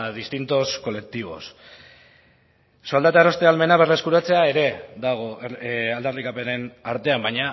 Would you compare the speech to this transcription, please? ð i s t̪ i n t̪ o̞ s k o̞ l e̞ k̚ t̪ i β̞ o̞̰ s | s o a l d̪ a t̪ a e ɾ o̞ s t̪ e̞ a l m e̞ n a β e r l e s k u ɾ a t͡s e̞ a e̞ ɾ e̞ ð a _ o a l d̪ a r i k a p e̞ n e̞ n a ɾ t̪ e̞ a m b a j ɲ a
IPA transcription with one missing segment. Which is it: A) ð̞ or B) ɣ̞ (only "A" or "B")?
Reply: B